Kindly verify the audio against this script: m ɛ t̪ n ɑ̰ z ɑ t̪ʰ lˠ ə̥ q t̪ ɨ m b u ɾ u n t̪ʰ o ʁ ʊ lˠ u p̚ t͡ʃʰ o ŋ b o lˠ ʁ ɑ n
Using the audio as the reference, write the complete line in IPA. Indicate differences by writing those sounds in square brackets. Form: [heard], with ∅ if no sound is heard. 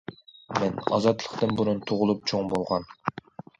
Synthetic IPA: m ɛ [∅] n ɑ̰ z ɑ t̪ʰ lˠ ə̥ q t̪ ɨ [n] b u ɾ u n t̪ʰ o ʁ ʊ lˠ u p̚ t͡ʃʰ o ŋ b o lˠ ʁ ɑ n